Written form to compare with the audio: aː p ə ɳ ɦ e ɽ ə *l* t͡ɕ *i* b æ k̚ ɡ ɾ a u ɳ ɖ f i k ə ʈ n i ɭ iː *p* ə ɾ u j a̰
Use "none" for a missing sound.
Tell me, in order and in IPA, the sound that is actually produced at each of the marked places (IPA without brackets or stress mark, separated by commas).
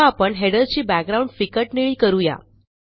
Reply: ɾ, iː, k